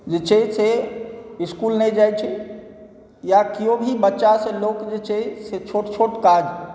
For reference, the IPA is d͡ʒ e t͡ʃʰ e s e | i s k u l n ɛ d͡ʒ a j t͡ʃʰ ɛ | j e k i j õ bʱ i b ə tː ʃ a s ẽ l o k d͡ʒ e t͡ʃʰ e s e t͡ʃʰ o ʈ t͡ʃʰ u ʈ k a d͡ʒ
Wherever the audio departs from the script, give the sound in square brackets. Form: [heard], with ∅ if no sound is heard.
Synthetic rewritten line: d͡ʒ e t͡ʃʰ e s e | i s k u l n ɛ d͡ʒ a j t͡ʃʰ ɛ | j [a] k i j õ bʱ i b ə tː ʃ a s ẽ l o k d͡ʒ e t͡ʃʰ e s e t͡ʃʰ o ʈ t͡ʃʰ [o] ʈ k a d͡ʒ